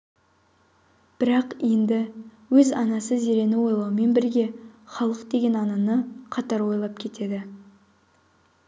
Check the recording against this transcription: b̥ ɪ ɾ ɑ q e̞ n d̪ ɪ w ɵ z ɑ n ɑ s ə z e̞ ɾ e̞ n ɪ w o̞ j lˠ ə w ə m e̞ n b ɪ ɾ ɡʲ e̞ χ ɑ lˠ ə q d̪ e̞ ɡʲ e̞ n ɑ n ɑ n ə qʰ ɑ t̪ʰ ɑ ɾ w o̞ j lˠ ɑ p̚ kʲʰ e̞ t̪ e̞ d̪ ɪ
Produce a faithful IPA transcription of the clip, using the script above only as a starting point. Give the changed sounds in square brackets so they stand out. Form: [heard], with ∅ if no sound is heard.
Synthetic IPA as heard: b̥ ɪ ɾ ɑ q e̞ n d̪ ɪ w ɵ z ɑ n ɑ s ə z e̞ ɾ e̞ n ɪ w o̞ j lˠ [ɑ] w ə m e̞ n b ɪ ɾ ɡʲ e̞ χ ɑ lˠ ə q d̪ e̞ ɡʲ e̞ n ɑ n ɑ n ə qʰ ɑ [t̪] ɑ ɾ w o̞ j lˠ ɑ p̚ kʲʰ e̞ t̪ e̞ d̪ ɪ